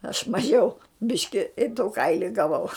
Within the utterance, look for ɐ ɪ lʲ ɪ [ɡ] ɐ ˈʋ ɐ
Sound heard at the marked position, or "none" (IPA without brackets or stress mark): ɡ